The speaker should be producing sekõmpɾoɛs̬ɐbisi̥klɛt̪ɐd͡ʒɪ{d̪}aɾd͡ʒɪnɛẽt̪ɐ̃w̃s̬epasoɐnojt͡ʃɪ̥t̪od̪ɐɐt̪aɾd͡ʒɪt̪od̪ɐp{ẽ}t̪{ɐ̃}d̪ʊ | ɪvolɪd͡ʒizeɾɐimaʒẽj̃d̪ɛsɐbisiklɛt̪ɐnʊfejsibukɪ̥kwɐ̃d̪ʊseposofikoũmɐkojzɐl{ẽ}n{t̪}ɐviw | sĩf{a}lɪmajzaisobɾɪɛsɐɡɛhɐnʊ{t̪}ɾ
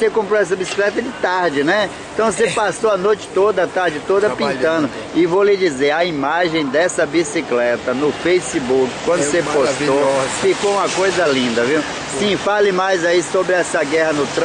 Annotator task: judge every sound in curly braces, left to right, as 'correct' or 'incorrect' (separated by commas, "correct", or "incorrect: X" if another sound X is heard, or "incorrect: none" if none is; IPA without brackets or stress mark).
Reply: incorrect: t̪, incorrect: ĩ, correct, incorrect: ĩ, incorrect: d̪, correct, correct